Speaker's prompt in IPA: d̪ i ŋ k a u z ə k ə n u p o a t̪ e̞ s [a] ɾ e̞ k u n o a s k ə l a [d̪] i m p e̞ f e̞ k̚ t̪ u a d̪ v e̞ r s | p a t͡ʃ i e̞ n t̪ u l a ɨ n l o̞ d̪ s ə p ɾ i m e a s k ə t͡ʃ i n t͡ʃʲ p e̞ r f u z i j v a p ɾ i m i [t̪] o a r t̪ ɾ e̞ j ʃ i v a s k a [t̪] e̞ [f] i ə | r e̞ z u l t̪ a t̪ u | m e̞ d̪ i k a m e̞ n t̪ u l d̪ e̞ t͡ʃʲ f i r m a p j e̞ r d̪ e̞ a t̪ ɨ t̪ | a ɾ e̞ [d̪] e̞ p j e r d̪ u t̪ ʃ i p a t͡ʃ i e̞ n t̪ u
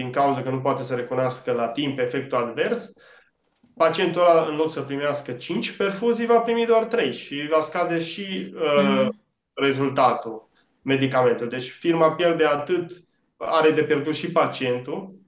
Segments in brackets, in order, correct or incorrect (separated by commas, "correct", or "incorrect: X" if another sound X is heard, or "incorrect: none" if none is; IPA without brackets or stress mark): incorrect: ə, incorrect: t̪, incorrect: d̪, incorrect: d̪, incorrect: ʃ, correct